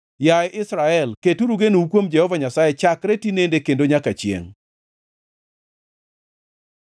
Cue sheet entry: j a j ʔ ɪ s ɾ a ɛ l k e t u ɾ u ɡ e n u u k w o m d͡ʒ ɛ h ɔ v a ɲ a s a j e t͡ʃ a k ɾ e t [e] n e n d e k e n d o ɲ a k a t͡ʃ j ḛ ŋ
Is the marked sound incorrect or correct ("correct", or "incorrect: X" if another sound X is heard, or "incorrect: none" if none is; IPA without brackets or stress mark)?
incorrect: i